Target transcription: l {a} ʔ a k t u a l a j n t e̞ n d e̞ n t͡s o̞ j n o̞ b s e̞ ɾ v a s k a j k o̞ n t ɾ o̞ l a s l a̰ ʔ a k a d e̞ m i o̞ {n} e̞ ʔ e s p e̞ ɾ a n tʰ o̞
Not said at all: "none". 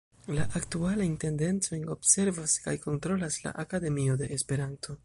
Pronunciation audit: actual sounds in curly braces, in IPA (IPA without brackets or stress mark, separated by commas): a, d